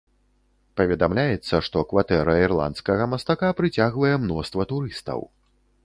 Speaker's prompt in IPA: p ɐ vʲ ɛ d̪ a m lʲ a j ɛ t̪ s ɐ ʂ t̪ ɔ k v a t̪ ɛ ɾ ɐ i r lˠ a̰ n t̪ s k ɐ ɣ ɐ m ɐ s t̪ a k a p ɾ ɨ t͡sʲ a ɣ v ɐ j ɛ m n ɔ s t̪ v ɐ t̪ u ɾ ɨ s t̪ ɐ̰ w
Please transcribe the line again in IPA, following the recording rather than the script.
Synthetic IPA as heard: p ɐ vʲ ɛ d̪ a m lʲ a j ɛ t̪ sː ɐ ʂ t̪ ɔ k v a t̪ ɛ ɾ ɐ i r lˠ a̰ n t̪ s k ɐ ɣ ɐ m ɐ s t̪ a k a p ɾ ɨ t͡sʲ a ɣ v ɐ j ɛ m n ɔ s t̪ v ɐ t̪ u ɾ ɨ s t̪ ɐ̰ w